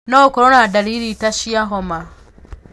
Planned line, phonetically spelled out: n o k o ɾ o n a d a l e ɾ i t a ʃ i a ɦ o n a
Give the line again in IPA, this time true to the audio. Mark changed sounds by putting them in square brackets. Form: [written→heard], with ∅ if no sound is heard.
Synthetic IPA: n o k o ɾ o n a d a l [e→i] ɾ i t a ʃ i a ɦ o [n→m] a